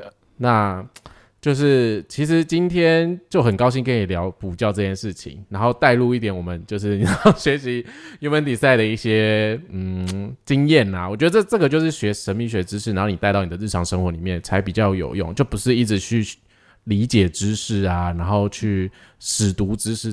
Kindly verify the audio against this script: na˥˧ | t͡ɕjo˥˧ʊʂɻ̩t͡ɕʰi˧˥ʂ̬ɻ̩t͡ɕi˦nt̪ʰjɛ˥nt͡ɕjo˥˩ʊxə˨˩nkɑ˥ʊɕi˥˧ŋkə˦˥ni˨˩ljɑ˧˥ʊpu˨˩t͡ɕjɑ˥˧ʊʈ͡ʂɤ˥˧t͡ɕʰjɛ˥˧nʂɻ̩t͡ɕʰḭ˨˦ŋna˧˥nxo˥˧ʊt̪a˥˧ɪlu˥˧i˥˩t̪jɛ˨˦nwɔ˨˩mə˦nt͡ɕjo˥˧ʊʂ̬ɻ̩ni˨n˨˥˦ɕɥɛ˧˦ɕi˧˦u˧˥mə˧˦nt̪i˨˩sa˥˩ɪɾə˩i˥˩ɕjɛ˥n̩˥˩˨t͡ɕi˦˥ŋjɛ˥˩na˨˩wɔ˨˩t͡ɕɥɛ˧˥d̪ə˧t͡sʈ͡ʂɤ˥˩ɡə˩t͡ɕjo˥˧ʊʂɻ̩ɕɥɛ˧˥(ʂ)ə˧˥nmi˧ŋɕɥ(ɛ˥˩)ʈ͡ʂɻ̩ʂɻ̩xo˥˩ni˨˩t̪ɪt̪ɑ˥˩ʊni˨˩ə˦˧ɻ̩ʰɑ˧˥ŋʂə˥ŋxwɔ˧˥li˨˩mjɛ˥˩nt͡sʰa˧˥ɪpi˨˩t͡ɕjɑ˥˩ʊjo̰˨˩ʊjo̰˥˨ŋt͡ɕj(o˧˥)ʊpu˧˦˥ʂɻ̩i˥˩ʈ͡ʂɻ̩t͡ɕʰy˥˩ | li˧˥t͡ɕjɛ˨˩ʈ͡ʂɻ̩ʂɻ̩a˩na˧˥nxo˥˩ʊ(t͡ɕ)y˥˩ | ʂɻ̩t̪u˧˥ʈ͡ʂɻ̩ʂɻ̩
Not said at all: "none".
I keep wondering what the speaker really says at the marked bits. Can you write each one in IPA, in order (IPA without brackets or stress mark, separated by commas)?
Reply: ʂ, ɛ˧˥, o˥˩, t͡ɕʰ